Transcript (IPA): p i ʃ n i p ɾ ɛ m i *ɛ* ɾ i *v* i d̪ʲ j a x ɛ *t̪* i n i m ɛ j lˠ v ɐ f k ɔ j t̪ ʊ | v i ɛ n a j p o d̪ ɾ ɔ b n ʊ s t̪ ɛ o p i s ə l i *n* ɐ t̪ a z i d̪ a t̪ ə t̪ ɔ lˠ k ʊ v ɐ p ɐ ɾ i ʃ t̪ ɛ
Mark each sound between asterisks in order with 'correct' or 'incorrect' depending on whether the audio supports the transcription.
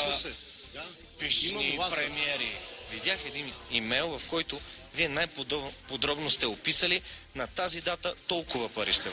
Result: correct, correct, incorrect: d̪, correct

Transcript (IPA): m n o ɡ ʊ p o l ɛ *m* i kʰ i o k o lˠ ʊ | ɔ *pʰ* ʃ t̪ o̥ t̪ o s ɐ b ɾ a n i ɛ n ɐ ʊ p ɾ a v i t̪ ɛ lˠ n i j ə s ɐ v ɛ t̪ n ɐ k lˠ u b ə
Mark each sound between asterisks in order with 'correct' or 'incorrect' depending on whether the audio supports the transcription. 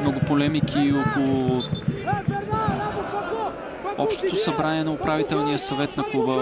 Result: correct, incorrect: p

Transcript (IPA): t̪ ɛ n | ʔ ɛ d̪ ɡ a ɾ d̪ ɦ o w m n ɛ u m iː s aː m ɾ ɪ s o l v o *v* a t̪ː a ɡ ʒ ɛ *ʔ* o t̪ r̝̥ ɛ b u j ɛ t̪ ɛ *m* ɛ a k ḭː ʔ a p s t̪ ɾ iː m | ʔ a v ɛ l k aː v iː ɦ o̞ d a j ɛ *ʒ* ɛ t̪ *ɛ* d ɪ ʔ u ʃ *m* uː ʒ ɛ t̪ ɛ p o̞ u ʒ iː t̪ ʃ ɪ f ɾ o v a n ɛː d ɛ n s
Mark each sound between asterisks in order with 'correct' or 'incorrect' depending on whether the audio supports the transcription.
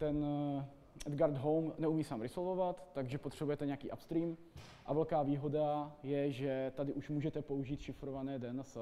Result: correct, incorrect: p, incorrect: ɲ, correct, incorrect: a, correct

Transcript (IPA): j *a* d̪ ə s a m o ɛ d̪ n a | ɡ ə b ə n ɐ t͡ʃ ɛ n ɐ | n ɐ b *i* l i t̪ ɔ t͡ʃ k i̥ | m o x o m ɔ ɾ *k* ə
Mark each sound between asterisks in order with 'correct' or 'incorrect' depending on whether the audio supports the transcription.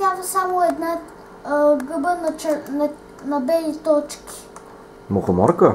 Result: correct, incorrect: ɛ, correct

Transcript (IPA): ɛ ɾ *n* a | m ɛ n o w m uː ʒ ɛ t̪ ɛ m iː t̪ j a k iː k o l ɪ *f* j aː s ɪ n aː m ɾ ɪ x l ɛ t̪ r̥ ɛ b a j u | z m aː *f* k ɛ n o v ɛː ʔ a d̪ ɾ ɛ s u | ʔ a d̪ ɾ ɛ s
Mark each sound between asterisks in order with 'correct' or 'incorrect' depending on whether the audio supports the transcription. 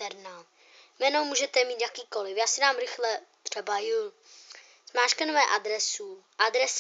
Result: correct, correct, incorrect: ʃ

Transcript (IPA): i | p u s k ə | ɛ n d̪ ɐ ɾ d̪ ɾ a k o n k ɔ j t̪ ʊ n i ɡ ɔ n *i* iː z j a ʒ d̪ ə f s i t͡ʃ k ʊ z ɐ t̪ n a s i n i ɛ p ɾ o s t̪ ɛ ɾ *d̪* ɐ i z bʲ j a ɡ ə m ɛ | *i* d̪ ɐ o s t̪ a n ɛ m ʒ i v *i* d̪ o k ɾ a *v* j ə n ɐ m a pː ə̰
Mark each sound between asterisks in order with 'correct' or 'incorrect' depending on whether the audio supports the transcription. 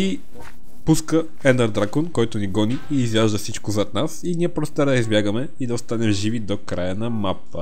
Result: correct, correct, correct, correct, incorrect: none

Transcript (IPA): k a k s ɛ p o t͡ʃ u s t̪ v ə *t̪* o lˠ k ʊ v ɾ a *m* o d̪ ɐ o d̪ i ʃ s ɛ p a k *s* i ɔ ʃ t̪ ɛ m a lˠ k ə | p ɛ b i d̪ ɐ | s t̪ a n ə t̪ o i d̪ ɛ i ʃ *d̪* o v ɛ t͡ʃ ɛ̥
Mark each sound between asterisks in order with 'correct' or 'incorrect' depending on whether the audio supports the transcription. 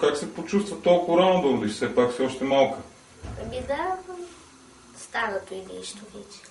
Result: correct, incorrect: n, correct, incorrect: t̪

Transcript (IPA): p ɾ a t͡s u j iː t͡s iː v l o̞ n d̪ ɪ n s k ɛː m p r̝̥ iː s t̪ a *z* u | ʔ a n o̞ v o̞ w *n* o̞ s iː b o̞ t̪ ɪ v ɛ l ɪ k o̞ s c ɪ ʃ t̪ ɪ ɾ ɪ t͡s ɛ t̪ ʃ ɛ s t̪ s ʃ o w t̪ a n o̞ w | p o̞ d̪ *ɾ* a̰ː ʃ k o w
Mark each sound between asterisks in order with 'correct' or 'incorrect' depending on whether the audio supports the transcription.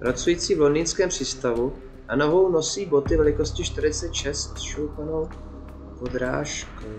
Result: incorrect: v, correct, correct

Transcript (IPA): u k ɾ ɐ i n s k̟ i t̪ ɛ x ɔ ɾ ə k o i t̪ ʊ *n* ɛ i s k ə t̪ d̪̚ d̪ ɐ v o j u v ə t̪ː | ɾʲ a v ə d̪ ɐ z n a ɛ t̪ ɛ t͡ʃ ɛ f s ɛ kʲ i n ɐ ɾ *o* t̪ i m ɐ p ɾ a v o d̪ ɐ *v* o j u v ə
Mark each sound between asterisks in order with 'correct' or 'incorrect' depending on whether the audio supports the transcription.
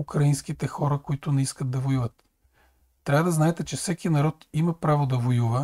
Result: correct, incorrect: ɔ, correct

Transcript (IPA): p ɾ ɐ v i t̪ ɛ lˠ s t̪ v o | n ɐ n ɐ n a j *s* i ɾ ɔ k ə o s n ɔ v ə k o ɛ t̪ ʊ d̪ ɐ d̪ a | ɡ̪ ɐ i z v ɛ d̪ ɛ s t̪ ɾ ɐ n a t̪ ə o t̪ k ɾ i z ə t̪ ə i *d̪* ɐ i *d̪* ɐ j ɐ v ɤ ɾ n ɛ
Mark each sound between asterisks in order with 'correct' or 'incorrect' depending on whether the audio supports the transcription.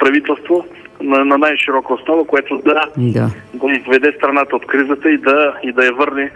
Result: incorrect: ʃ, correct, correct

